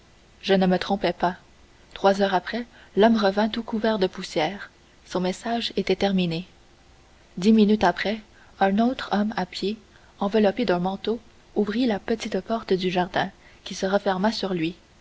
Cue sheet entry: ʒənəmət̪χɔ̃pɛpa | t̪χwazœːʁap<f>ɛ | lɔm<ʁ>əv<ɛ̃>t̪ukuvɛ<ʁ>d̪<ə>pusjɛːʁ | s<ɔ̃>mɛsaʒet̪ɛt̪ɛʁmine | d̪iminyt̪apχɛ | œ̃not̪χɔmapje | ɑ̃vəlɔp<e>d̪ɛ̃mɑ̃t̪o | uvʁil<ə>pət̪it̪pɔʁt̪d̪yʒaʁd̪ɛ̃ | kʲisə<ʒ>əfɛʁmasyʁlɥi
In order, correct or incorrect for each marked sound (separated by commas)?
incorrect, correct, correct, correct, correct, correct, correct, incorrect, incorrect